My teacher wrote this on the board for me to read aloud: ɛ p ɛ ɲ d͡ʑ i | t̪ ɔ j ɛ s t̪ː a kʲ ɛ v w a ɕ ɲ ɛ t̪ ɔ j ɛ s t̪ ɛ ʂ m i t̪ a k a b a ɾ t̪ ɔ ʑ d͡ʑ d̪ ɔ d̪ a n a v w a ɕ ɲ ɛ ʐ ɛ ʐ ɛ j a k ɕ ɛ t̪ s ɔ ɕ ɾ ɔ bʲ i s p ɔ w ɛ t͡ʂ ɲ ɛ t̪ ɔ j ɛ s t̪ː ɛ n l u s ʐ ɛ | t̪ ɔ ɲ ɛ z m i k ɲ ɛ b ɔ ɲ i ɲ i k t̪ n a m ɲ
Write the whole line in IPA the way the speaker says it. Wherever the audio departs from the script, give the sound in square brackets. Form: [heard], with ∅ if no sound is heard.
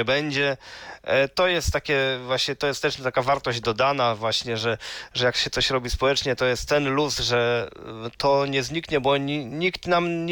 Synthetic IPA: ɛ [b] ɛ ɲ d͡ʑ [ɛ] | t̪ ɔ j ɛ s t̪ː a kʲ ɛ v w a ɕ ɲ ɛ t̪ ɔ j ɛ s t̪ ɛ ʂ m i t̪ a k a [v] a ɾ t̪ ɔ ʑ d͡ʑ d̪ ɔ d̪ a n a v w a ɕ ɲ ɛ ʐ ɛ ʐ ɛ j a k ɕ ɛ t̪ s ɔ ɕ ɾ ɔ bʲ i s p ɔ w ɛ t͡ʂ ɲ ɛ t̪ ɔ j ɛ s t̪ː ɛ n l u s ʐ ɛ | t̪ ɔ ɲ ɛ z [ɲ] i k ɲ ɛ b ɔ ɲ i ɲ i k t̪ n a m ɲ